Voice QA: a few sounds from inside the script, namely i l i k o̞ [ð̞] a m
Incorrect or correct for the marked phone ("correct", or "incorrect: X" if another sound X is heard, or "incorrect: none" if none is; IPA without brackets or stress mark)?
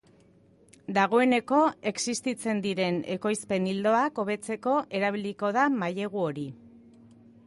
correct